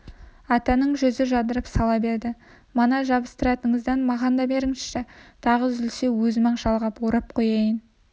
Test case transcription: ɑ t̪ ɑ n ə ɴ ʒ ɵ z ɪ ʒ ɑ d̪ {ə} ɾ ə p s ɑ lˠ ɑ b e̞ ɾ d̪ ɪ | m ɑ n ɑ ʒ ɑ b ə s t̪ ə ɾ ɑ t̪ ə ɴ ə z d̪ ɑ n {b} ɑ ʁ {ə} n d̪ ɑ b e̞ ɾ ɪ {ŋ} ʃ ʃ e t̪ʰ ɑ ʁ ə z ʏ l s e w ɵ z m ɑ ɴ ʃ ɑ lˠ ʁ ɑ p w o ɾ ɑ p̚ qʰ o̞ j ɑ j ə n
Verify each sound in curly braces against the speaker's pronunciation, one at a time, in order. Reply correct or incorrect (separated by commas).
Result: correct, incorrect, incorrect, correct